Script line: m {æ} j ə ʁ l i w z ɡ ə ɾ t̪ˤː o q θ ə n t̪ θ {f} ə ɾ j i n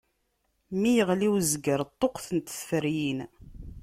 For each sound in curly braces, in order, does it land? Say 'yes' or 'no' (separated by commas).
no, yes